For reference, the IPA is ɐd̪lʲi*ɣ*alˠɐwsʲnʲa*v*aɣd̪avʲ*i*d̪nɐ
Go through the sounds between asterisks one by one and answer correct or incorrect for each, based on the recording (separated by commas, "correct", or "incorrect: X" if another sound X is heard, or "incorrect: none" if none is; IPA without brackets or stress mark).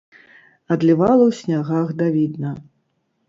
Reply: incorrect: v, incorrect: ɣ, correct